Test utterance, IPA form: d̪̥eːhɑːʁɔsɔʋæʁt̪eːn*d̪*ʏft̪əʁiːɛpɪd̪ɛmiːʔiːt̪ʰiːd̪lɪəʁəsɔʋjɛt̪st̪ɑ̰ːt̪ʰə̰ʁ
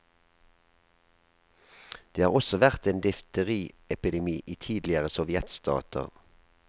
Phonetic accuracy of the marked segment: correct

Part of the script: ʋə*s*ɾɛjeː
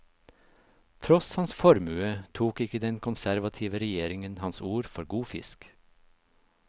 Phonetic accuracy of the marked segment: incorrect: none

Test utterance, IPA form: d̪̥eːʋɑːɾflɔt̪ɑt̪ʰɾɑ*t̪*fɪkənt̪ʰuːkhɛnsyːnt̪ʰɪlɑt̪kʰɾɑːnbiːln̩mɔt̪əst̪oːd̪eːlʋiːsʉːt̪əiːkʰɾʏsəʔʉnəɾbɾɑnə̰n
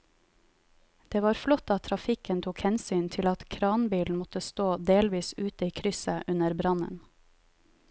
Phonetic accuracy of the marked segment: incorrect: none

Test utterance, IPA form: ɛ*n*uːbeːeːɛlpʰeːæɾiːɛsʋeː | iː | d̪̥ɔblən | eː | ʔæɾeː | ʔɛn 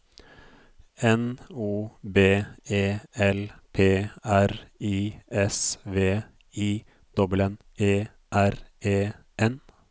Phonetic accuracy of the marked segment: correct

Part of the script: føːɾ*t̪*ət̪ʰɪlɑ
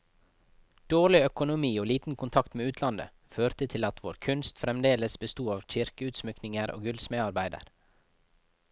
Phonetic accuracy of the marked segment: correct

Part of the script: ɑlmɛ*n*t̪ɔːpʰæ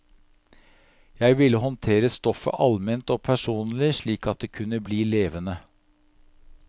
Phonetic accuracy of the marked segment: correct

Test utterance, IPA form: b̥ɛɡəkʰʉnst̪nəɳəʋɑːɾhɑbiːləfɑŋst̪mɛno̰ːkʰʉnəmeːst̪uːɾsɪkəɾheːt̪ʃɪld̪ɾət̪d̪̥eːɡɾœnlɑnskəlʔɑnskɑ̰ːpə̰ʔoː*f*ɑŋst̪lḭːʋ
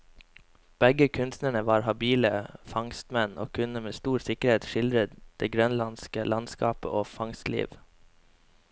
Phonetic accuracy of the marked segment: correct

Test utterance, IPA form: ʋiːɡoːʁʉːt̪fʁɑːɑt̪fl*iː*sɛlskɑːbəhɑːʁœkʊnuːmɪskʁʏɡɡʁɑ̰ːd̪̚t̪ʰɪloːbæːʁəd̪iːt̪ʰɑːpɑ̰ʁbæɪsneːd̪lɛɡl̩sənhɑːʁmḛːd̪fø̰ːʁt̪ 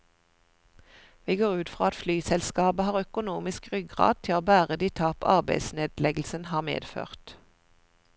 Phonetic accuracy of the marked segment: incorrect: yː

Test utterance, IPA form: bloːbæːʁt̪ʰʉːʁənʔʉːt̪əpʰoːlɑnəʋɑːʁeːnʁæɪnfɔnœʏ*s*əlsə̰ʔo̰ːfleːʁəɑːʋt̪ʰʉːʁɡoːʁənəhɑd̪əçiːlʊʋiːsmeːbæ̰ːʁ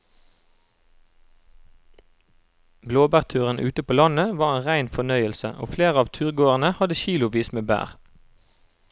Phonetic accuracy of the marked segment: incorrect: none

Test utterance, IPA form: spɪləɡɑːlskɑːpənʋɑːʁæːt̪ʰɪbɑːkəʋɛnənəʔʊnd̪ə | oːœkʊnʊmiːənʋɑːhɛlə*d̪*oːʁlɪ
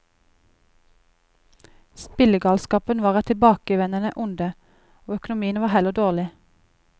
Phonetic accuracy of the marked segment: correct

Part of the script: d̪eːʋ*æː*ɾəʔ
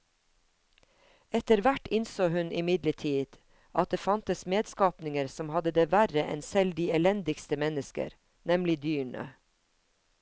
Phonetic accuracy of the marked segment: incorrect: æ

